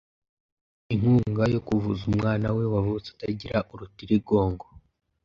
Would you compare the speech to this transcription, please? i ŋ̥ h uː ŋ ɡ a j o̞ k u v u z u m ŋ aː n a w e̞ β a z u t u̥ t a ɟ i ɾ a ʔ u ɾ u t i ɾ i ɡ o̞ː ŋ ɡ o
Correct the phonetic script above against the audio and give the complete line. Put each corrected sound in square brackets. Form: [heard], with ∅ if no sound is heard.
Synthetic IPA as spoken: i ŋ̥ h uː ŋ ɡ a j o̞ k u v u z u m ŋ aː n a w e̞ [w] a [v] u [t͡s] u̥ t a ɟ i ɾ a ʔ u ɾ u t i ɾ i ɡ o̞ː ŋ ɡ o